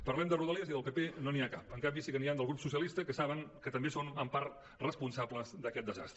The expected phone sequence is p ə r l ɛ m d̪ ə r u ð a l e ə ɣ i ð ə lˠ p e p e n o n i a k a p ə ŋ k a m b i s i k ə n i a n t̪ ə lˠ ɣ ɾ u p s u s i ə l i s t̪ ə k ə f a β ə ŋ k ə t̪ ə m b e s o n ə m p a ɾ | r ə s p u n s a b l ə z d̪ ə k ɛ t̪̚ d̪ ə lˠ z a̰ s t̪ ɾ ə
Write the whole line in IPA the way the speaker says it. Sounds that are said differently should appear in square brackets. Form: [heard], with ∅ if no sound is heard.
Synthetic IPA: p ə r l ɛ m d̪ ə r u ð [ə] l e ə [z] i ð ə lˠ p e p e n o n i a k a p ə ŋ k a m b i s i k ə n i a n [d̪] ə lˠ ɣ ɾ u p s u s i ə l i s t̪ ə k ə [s] a β ə ŋ k ə t̪ ə m b e s o n ə m p a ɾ | r ə s p u n s a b l ə z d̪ ə k ɛ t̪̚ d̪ ə [∅] z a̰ s t̪ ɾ ə